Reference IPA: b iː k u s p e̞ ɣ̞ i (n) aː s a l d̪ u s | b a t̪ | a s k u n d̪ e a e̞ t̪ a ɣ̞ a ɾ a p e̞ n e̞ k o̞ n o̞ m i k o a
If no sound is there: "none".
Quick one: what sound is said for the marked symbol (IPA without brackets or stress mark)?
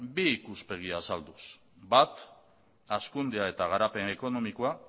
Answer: none